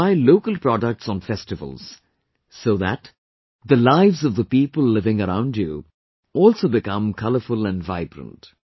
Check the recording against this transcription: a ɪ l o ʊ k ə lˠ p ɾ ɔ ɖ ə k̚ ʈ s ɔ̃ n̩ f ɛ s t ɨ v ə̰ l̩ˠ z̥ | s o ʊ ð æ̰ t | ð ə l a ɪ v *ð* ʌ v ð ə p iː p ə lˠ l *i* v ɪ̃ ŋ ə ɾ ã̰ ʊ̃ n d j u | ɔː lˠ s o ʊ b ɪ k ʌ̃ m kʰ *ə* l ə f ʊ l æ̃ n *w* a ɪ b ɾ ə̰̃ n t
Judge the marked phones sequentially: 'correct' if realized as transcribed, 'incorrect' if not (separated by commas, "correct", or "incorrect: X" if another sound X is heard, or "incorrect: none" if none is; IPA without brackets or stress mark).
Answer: incorrect: z, incorrect: ɪ, incorrect: ʌ, incorrect: v